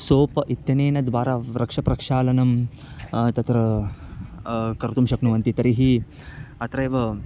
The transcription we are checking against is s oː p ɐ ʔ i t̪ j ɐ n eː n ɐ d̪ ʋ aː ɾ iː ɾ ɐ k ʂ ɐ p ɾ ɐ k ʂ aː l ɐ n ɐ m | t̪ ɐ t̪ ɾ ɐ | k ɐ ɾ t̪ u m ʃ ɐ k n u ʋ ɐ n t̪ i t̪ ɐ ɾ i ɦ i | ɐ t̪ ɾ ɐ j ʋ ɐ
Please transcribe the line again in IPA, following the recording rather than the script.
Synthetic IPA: s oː p ɐ ʔ i t̪ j ɐ n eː n ɐ d̪ ʋ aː ɾ aː ɾ ɐ k ʂ ɐ p ɾ ɐ k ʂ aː l ɐ n ɐ m | t̪ ɐ t̪ ɾ ɐ | k ɐ ɾ t̪ u m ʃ ɐ k n u ʋ ɐ n t̪ i t̪ ɐ ɾ i ɦ i | ɐ t̪ ɾ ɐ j ʋ ɐ